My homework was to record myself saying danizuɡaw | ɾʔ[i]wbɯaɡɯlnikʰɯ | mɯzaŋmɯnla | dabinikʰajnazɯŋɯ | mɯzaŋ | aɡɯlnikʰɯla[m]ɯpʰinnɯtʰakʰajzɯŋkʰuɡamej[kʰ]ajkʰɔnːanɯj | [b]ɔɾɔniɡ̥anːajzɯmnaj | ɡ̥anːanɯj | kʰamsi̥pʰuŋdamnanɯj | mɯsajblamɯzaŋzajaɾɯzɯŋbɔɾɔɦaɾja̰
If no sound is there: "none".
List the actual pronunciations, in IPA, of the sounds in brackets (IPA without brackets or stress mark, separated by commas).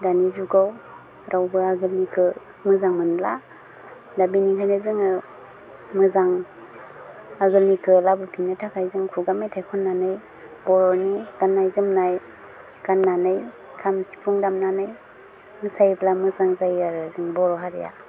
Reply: a, b, tʰ, b